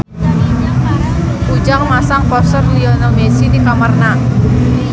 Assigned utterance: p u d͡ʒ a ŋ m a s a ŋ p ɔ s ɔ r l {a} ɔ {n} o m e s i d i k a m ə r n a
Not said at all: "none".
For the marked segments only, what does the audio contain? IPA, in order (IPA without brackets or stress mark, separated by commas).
i, n